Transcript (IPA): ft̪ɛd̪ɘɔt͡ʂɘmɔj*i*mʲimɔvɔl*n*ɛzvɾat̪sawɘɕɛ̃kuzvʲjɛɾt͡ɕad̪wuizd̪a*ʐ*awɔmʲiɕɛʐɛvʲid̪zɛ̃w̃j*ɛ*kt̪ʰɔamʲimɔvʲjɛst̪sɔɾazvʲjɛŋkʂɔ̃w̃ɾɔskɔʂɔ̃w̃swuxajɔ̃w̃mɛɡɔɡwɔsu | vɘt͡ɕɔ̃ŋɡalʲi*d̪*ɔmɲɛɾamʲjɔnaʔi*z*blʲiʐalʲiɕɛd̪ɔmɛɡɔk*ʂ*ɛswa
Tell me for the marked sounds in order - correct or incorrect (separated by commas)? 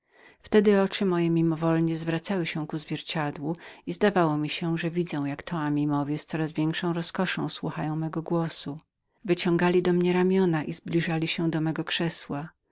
incorrect, incorrect, incorrect, incorrect, correct, correct, correct